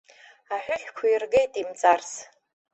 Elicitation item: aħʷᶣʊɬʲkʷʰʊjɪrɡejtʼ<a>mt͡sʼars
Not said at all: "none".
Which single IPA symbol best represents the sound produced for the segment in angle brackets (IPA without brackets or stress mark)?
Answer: i